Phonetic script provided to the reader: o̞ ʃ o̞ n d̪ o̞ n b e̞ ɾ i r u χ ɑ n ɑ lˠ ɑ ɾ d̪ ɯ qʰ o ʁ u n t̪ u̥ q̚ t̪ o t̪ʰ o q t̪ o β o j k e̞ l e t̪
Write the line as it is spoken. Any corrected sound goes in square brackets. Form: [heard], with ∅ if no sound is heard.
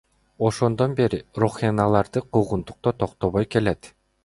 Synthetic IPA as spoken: o̞ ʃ o̞ n d̪ o̞ n b e̞ ɾ i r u χ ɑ n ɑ lˠ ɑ ɾ d̪ ɯ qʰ [u] ʁ u n t̪ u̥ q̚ t̪ o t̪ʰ o q t̪ o β o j k e̞ l e t̪